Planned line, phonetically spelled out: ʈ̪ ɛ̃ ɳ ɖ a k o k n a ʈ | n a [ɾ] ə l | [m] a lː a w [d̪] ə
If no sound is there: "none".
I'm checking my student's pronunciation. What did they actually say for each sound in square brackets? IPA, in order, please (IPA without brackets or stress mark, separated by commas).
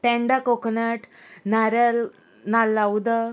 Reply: ɾ, n, d̪